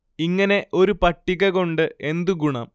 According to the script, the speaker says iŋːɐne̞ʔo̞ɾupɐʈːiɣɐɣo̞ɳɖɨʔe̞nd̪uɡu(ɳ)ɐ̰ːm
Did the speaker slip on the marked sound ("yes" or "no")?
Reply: no